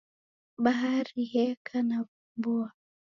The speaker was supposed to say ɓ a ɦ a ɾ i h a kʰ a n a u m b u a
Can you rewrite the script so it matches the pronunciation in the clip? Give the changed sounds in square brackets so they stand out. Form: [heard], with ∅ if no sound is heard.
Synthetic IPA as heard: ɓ a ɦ a ɾ i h [ɛ] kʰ a n a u m b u a